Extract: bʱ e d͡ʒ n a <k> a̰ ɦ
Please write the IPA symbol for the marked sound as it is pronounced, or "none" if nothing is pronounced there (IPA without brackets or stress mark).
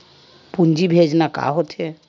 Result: k